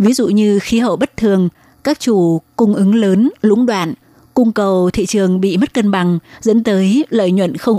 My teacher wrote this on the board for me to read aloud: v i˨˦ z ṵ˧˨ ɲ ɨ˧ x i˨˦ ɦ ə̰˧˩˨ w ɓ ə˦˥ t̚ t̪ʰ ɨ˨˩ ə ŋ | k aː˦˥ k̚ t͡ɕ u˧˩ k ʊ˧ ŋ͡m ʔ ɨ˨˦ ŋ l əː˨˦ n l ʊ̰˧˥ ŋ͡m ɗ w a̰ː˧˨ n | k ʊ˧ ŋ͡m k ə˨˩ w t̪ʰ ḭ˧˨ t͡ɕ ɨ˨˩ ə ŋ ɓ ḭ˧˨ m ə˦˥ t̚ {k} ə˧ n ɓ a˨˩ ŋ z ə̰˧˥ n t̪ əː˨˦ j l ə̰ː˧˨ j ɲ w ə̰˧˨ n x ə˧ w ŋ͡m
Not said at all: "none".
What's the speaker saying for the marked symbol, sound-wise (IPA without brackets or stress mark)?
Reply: k